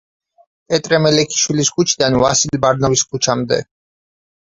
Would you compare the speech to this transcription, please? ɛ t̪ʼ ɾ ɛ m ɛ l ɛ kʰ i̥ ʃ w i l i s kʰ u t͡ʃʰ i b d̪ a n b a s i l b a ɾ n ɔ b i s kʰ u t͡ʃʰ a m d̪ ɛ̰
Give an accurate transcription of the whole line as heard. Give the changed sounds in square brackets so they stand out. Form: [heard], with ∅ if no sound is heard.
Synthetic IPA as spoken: ɛ t̪ʼ ɾ ɛ m ɛ l ɛ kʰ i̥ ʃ w i l i s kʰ u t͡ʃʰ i [∅] d̪ a n [v] a s i l b a ɾ n ɔ [v] i s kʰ u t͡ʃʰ a m d̪ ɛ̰